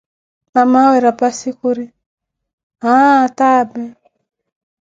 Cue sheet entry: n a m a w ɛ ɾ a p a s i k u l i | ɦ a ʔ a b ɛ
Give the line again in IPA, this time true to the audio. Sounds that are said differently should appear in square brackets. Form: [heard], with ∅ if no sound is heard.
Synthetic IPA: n a m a w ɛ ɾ a p a s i k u [ɾ] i | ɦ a [t] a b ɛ